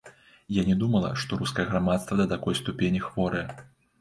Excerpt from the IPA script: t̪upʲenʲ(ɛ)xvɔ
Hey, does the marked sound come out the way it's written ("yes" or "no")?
no